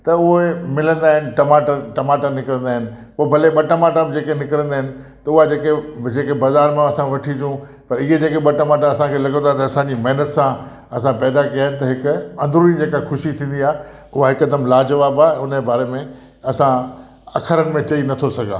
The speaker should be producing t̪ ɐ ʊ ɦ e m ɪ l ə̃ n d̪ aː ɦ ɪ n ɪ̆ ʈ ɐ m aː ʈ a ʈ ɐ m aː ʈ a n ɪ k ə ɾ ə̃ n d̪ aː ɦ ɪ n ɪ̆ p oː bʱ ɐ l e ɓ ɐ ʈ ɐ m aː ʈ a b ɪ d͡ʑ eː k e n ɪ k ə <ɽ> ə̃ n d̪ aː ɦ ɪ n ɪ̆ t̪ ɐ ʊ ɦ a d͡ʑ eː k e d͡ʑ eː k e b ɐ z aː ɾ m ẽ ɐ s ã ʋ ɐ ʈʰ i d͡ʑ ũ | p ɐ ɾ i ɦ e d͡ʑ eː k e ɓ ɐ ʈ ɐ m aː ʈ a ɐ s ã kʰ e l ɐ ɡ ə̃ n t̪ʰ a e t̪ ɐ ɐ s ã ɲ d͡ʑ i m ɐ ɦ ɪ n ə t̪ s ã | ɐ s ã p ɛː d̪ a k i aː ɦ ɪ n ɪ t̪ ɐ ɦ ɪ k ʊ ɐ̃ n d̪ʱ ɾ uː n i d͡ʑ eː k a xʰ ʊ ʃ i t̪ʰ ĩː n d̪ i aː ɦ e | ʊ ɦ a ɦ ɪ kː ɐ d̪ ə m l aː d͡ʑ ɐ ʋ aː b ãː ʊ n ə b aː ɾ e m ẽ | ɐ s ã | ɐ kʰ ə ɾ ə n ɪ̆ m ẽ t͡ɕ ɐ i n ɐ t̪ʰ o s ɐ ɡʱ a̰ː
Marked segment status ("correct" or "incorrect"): incorrect